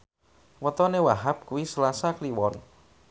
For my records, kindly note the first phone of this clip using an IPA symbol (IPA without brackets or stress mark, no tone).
w